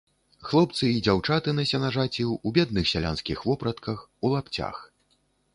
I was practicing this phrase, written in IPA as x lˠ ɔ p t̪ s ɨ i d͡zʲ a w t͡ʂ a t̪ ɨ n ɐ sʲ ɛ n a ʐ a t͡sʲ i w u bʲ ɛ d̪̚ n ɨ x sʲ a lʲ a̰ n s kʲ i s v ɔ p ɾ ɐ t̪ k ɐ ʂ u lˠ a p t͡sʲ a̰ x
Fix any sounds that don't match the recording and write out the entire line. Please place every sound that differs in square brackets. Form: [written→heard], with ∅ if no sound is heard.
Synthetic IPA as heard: x lˠ ɔ p t̪ s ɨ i d͡zʲ a w t͡ʂ a t̪ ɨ n ɐ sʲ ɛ n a ʐ a t͡sʲ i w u bʲ ɛ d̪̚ n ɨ x sʲ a lʲ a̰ n s kʲ i [s→x] v ɔ p ɾ ɐ t̪ k ɐ [ʂ→x] u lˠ a p t͡sʲ a̰ x